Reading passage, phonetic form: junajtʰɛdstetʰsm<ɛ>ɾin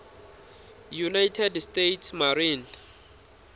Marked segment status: incorrect: a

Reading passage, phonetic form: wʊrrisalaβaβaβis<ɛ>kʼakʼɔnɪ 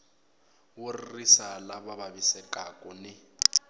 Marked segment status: correct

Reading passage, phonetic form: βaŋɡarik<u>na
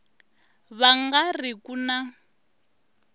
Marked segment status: correct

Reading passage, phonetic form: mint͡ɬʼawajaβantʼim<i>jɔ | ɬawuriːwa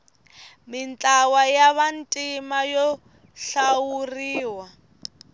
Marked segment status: incorrect: a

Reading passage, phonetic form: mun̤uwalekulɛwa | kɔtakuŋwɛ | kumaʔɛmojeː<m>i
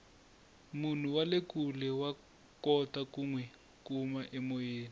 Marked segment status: incorrect: n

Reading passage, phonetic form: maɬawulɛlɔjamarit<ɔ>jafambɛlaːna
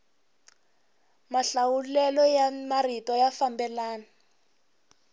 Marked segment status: correct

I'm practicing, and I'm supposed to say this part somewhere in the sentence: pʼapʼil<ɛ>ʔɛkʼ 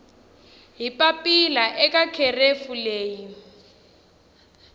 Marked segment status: incorrect: a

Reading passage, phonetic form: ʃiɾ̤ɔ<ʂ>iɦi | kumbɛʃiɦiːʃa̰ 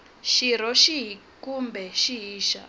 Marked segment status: incorrect: ʃ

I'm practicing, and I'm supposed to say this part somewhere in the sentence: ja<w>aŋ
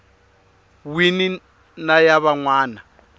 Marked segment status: incorrect: β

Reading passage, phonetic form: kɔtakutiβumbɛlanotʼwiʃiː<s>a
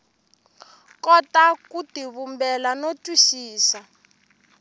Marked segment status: correct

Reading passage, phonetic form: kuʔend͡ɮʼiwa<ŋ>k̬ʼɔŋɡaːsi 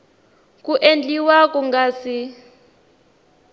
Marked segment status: incorrect: none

